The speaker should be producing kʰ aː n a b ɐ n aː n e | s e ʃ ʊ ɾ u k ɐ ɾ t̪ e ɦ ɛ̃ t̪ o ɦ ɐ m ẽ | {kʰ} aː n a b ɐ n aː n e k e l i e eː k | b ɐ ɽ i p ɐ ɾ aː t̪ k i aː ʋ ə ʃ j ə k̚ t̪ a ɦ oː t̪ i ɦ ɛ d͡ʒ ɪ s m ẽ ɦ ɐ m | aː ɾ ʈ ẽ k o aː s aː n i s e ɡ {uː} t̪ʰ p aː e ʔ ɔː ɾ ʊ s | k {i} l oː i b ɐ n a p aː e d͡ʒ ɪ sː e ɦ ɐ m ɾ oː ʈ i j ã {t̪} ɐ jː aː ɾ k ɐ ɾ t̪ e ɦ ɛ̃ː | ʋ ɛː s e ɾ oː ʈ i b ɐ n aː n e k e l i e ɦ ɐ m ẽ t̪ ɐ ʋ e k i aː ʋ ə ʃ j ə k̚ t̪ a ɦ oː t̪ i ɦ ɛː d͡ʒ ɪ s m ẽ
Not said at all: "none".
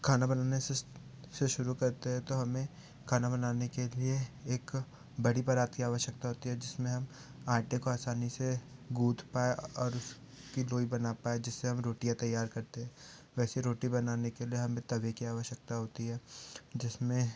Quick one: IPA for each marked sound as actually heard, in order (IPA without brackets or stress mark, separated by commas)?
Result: kʰ, uː, i, t̪